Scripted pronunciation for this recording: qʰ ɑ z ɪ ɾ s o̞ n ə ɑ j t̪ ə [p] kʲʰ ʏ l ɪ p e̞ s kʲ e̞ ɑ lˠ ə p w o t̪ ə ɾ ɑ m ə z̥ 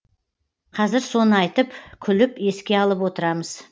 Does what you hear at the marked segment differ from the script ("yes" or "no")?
no